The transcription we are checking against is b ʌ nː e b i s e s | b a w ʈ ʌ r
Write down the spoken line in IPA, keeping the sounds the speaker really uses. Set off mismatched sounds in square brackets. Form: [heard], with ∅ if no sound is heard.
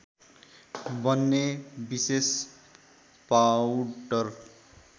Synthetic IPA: b ʌ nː e b i s e s | [p] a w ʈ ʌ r

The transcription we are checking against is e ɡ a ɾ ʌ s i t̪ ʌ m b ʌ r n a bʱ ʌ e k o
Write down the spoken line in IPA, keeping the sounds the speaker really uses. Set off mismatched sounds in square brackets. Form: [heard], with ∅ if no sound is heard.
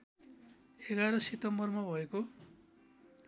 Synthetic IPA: e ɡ a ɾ ʌ s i t̪ ʌ m b ʌ r [m] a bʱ ʌ e k o

